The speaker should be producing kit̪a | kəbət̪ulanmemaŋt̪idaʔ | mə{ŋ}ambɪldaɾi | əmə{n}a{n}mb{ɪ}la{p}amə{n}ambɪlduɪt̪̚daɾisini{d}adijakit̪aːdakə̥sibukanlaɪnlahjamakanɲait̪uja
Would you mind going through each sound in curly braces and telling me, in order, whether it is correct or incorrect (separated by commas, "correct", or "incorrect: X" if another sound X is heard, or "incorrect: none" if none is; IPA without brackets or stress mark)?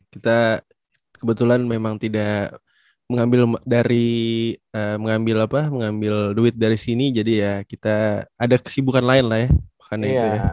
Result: correct, incorrect: ŋ, incorrect: none, correct, correct, incorrect: ŋ, incorrect: d͡ʒ